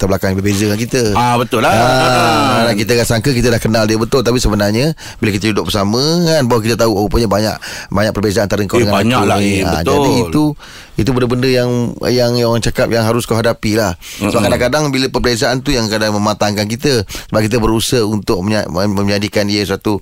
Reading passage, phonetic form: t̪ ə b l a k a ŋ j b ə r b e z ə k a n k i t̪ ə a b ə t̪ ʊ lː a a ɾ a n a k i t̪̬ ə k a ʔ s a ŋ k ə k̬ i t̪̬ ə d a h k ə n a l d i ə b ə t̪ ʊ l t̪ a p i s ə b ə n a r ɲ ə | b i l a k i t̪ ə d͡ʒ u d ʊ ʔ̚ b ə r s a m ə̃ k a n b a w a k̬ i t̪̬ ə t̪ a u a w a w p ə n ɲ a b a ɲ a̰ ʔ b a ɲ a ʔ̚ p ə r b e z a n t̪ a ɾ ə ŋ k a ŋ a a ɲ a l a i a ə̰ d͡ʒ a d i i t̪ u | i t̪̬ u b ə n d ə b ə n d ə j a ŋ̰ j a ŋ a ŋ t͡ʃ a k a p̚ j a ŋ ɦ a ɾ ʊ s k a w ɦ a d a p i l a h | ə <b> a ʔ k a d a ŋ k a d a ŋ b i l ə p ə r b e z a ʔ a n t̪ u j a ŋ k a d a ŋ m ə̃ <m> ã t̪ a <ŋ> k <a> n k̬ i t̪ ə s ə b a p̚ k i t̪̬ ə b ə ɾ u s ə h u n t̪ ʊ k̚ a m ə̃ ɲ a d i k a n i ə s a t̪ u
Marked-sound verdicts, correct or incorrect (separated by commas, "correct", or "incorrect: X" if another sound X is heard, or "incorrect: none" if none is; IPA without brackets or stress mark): correct, correct, correct, correct